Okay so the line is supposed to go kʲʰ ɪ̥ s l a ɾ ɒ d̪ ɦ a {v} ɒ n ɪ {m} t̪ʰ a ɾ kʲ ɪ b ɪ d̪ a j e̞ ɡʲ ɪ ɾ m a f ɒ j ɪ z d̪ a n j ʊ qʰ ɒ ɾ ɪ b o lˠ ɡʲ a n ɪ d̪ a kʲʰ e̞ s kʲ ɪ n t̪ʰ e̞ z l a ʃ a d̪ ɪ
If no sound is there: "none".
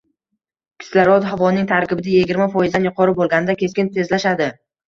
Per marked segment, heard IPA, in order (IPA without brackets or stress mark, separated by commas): v, ŋ